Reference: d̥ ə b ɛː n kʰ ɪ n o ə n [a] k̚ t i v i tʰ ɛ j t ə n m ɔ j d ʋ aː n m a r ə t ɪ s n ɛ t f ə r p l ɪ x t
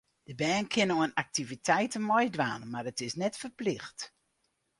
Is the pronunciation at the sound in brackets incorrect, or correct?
correct